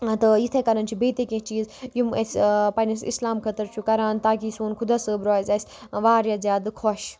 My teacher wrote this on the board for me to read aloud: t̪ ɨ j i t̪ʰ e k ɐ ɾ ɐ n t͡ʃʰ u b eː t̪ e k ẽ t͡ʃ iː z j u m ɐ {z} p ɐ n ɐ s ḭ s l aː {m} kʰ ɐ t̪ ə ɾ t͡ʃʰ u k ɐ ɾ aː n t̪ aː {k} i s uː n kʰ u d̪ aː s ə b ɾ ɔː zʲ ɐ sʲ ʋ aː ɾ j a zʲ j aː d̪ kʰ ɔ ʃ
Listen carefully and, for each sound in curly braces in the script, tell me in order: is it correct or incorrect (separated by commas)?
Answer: incorrect, correct, correct